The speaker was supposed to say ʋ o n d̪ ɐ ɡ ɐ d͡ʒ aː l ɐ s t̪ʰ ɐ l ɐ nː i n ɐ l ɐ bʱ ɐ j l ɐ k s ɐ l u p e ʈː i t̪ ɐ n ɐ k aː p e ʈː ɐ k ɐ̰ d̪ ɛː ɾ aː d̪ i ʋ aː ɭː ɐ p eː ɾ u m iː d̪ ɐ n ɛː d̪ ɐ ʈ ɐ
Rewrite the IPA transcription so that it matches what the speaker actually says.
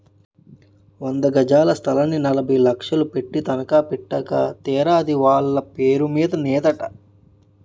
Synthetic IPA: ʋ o n d̪ ɐ ɡ ɐ d͡ʒ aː l ɐ s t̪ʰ ɐ l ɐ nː i n ɐ l ɐ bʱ ɐ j l ɐ k ʂ ɐ l u p e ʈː i t̪ ɐ n ɐ k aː p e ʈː ɐ k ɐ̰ t̪ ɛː ɾ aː d̪ i ʋ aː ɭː ɐ p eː ɾ u m iː d̪ ɐ n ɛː d̪ ɐ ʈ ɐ

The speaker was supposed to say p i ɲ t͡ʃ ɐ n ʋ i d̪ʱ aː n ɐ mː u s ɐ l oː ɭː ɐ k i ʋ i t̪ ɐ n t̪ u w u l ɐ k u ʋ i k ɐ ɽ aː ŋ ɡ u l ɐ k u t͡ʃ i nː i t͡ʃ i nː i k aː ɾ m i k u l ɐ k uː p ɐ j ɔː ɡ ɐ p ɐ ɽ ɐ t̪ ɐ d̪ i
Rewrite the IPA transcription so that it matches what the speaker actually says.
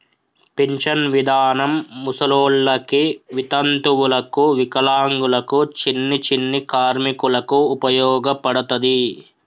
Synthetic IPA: p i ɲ t͡ʃ ɐ n ʋ i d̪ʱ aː n ɐ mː u s ɐ l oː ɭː ɐ k i ʋ i t̪ ɐ n t̪ u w u l ɐ k u ʋ i k ɐ l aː ŋ ɡ u l ɐ k u t͡ʃ i nː i t͡ʃ i nː i k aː ɾ m i k u l ɐ k uː p ɐ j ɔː ɡ ɐ p ɐ ɽ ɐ t̪ ɐ d̪ i

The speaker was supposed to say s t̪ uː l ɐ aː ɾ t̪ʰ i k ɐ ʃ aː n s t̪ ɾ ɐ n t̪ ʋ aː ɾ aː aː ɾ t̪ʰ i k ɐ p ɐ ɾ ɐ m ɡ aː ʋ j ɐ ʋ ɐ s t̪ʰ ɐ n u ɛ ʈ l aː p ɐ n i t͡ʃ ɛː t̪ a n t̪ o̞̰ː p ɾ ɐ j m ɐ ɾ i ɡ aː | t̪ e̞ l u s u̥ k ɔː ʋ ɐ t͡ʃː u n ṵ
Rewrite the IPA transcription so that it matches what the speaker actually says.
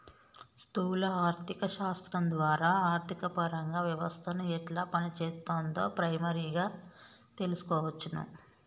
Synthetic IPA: s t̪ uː l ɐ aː ɾ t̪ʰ i k ɐ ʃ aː s t̪ ɾ ɐ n d̪ ʋ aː ɾ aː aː ɾ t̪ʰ i k ɐ p ɐ ɾ ɐ ŋ ɡ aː ʋ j ɐ ʋ ɐ s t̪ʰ ɐ n u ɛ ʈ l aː p ɐ n i t͡ʃ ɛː t̪ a n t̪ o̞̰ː p ɾ ɐ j m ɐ ɾ i ɡ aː | t̪ e̞ l u s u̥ k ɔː ʋ ɐ t͡ʃː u n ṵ

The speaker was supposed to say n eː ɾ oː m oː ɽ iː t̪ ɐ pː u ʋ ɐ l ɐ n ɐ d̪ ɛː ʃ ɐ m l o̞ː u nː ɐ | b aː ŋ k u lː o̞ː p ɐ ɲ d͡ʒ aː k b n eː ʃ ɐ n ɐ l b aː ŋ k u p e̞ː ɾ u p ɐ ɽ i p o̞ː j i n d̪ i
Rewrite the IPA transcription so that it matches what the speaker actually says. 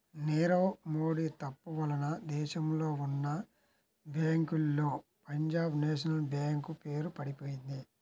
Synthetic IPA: n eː ɾ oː m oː ɽ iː t̪ ɐ pː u ʋ ɐ l ɐ n ɐ d̪ ɛː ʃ ɐ m l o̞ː u nː ɐ | b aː ŋ k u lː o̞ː p ɐ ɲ d͡ʒ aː b n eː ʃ ɐ n ɐ l b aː ŋ k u p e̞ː ɾ u p ɐ ɽ i p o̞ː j i n d̪ i

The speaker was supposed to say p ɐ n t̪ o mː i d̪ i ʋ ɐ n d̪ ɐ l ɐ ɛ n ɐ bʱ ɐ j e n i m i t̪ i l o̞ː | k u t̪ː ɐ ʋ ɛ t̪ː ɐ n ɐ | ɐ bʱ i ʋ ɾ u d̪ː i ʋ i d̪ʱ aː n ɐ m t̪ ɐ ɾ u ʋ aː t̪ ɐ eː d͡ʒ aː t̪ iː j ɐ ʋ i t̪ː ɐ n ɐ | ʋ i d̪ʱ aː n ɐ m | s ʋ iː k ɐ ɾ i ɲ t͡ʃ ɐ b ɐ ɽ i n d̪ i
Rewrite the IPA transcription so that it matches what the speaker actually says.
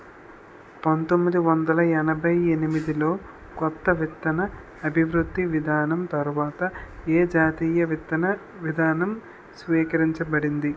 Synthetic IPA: p ɐ n t̪ o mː i d̪ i ʋ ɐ n d̪ ɐ l ɐ ɛ n ɐ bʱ ɐ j e n i m i d̪ i l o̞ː | k ɔ t̪ː ɐ ʋ i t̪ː ɐ n ɐ | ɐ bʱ i ʋ ɾ u d̪ː i ʋ i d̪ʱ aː n ɐ m t̪ ɐ ɾ u ʋ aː t̪ ɐ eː d͡ʒ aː t̪ iː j ɐ ʋ i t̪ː ɐ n ɐ | ʋ i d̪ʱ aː n ɐ m | s ʋ iː k ɐ ɾ i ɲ t͡ʃ ɐ b ɐ ɽ i n d̪ i

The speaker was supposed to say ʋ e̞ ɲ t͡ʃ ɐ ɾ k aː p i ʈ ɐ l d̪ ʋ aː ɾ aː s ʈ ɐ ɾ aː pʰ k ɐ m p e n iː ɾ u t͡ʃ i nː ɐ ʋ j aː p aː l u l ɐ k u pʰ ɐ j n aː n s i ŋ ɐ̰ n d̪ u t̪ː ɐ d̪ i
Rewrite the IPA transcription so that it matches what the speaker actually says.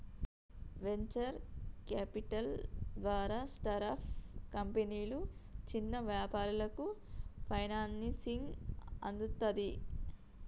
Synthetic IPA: ʋ e̞ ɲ t͡ʃ ɐ ɾ k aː p i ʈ ɐ l d̪ ʋ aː ɾ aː s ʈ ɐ ɾ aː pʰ k ɐ m p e n iː l u t͡ʃ i nː ɐ ʋ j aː p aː ɾ u l ɐ k u pʰ ɐ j n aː n s i ŋ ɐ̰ n d̪ u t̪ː ɐ d̪ i

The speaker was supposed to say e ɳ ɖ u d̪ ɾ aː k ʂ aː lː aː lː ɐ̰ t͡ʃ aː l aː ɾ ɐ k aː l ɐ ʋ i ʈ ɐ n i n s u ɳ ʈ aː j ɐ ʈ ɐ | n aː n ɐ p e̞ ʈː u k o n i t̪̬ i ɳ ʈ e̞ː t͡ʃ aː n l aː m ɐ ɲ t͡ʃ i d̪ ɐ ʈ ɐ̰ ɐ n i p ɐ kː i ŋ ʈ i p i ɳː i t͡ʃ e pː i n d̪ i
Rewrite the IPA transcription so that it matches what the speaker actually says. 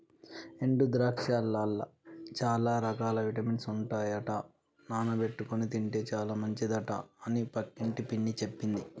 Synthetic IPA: e ɳ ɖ u d̪ ɾ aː k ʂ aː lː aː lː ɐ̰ t͡ʃ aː l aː ɾ ɐ k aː l ɐ ʋ i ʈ ɐ m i n s u ɳ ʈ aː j ɐ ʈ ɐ | n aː n ɐ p e̞ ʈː u k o n i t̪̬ i ɳ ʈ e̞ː t͡ʃ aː l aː m ɐ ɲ t͡ʃ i d̪ ɐ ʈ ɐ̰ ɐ n i p ɐ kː i ɳ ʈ i p i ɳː i t͡ʃ e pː i n d̪ i

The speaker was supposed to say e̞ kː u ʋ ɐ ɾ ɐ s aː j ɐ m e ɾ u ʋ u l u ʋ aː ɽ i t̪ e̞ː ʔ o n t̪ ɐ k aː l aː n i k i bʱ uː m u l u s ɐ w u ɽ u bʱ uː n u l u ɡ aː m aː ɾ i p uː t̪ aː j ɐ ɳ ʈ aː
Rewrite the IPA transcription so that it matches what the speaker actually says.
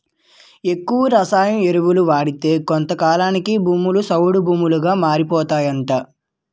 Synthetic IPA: e̞ kː u ʋ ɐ ɾ ɐ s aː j ɐ m e ɾ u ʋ u l u ʋ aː ɽ i t̪ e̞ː k o n t̪ ɐ k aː l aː n i k i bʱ uː m u l u s ɐ w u ɽ u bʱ uː m u l u ɡ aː m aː ɾ i p ɔː t̪ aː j ɐ ɳ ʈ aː

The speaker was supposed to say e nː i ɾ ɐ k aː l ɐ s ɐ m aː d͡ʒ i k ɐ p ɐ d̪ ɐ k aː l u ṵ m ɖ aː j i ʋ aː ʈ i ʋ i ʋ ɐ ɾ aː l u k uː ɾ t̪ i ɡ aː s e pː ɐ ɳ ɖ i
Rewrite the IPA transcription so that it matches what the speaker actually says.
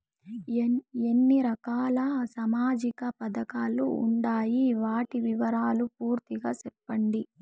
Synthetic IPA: e nː i ɾ ɐ k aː l ɐ s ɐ m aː d͡ʒ i k ɐ p ɐ d̪ ɐ k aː l u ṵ ɳ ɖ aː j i ʋ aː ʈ i ʋ i ʋ ɐ ɾ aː l u p uː ɾ t̪ i ɡ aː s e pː ɐ ɳ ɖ i

